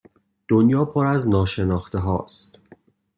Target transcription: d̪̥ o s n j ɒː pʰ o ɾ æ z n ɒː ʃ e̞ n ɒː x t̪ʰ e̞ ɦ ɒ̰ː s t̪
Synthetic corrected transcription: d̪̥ o n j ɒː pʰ o ɾ æ z n ɒː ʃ e̞ n ɒː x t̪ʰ e̞ ɦ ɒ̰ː s t̪